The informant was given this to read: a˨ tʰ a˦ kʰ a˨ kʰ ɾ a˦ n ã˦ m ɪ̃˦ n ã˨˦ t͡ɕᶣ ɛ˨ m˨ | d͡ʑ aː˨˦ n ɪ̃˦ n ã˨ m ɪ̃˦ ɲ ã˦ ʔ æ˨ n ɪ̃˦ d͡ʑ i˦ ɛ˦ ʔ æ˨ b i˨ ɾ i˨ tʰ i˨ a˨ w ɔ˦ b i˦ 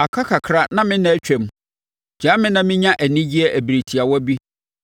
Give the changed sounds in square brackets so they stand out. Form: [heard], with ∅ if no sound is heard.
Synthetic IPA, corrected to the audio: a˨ [kʰ] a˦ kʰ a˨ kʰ ɾ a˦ n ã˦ m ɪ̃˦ n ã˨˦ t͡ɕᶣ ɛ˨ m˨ | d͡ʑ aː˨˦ [m] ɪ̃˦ n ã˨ m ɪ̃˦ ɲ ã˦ ʔ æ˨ n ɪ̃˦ d͡ʑ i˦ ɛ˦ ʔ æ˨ b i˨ ɾ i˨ tʰ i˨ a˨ w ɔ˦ b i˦